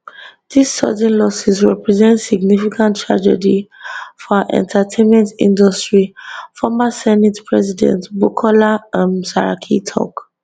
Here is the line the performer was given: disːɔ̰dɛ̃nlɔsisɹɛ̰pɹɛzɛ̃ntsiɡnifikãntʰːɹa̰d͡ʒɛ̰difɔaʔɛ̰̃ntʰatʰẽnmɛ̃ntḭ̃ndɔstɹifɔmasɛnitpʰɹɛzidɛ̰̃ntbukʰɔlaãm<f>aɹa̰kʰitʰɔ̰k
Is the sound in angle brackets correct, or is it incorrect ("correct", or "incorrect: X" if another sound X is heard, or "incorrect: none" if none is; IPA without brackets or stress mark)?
incorrect: s